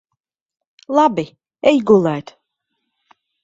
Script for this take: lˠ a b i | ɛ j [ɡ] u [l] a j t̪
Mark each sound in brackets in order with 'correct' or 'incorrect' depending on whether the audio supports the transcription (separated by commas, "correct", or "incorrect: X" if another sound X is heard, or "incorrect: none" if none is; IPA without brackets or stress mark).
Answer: correct, correct